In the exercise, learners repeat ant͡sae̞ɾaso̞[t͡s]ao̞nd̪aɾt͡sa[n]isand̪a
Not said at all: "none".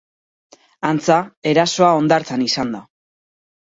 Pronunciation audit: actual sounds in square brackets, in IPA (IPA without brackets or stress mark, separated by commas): none, n